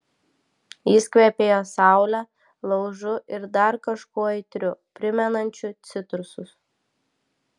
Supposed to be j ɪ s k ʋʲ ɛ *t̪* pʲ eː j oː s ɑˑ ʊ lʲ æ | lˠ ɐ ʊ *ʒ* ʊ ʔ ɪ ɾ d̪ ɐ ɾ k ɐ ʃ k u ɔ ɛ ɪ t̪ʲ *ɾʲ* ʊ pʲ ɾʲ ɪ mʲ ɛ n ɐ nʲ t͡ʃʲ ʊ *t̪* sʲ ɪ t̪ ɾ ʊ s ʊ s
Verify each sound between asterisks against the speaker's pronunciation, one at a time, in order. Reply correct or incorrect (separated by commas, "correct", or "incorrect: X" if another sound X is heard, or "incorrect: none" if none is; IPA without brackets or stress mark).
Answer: incorrect: none, correct, correct, correct